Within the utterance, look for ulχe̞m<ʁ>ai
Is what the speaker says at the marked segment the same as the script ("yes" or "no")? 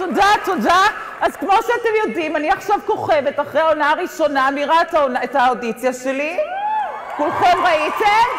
yes